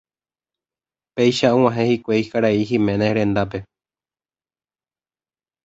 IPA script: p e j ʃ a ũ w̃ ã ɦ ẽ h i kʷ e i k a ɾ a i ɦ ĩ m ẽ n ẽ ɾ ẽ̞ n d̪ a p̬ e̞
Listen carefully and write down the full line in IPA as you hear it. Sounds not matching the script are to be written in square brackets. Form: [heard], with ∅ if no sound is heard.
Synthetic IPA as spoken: p e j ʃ a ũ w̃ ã ɦ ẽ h i kʷ e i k a ɾ a i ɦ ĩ m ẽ n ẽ ɾ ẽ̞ n d̪ a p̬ e̞